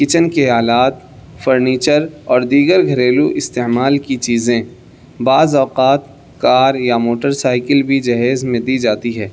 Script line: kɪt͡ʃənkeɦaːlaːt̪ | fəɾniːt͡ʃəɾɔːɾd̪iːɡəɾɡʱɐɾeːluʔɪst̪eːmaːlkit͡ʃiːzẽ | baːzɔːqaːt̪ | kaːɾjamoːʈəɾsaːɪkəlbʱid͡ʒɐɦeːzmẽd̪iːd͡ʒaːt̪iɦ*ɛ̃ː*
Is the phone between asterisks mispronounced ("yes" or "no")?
yes